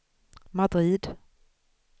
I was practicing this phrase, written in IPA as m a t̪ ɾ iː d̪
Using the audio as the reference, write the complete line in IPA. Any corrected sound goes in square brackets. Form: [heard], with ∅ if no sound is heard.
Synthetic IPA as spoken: m a [d̪] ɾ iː d̪